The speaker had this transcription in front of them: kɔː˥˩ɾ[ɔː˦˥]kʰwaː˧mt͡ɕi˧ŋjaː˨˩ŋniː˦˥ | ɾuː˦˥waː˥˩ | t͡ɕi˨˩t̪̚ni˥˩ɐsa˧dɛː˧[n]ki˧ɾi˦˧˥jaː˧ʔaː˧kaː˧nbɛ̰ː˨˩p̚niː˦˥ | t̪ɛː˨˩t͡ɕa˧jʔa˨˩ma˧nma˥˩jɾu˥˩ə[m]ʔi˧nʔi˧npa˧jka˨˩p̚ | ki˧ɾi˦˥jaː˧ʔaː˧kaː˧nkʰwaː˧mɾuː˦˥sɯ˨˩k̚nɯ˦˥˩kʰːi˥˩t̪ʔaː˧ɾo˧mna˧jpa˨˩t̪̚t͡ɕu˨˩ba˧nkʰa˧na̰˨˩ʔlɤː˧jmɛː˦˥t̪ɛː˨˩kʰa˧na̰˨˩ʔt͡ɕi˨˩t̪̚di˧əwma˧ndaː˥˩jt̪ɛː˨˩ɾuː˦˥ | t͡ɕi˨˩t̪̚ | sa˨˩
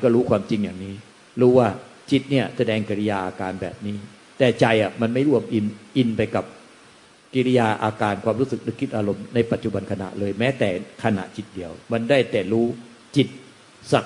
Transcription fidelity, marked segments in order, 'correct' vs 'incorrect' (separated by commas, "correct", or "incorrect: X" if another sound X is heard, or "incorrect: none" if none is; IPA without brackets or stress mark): incorrect: uː˦˥, incorrect: ŋ, correct